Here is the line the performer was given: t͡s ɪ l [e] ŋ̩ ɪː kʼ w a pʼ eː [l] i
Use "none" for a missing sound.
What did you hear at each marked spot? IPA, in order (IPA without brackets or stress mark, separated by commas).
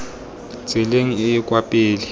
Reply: e, l